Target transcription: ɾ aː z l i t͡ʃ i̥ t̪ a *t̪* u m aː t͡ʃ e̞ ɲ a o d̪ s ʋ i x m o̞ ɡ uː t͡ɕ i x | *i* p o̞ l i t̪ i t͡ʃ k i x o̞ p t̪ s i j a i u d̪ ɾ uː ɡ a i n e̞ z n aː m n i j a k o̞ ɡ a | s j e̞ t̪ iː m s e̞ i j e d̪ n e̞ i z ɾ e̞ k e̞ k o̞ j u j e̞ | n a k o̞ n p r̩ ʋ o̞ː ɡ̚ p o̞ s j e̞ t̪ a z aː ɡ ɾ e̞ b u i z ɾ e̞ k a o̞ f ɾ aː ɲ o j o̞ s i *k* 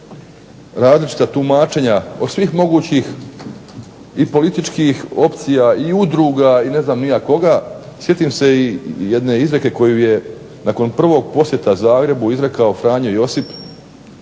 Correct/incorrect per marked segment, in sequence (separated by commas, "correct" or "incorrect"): correct, correct, incorrect